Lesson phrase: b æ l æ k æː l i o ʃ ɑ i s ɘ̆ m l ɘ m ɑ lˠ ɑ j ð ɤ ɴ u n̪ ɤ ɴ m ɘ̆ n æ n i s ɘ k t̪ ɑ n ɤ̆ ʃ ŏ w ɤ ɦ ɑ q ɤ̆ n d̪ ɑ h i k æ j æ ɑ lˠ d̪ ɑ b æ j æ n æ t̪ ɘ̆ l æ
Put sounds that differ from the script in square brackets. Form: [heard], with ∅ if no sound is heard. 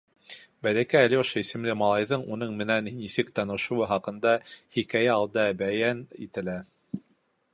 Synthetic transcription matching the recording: b æ l æ k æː l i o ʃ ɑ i s ɘ̆ m l ɘ m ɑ lˠ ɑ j ð ɤ ɴ u n̪ ɤ ɴ m ɘ̆ n æ n i s ɘ k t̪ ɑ n ɤ̆ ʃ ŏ w ɤ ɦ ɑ q ɤ̆ n d̪ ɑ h i k æ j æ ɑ lˠ d̪ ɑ b æ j æ n [i] t̪ ɘ̆ l æ